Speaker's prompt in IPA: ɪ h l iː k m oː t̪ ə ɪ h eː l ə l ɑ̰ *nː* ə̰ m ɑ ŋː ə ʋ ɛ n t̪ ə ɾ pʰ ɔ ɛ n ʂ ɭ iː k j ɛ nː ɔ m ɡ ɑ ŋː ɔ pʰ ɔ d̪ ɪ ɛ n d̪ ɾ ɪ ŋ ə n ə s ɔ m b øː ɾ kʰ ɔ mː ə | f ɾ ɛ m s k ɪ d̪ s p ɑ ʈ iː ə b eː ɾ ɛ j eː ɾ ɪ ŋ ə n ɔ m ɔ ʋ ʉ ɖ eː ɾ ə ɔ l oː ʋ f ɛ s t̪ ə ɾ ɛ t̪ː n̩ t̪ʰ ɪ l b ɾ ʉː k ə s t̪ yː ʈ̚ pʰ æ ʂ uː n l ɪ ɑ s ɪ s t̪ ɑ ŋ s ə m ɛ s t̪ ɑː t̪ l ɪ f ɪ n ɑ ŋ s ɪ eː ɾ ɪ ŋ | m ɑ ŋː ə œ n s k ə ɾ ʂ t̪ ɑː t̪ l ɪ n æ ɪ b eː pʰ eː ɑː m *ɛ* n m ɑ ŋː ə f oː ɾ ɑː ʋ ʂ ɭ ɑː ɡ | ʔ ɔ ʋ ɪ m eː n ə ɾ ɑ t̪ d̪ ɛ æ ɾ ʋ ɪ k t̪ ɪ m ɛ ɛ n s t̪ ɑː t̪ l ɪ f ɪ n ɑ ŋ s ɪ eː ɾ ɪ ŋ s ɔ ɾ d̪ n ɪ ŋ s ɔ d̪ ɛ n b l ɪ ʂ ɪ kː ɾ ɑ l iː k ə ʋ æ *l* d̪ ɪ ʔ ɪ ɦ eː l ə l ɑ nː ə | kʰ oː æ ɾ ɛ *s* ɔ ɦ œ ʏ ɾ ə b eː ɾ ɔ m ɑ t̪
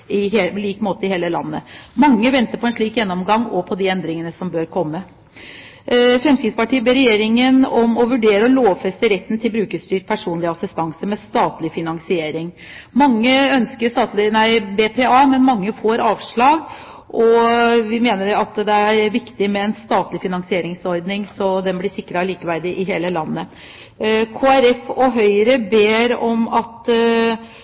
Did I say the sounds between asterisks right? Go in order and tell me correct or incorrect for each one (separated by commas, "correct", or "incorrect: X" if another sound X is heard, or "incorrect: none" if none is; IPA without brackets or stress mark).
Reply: correct, correct, incorrect: ɾ, incorrect: f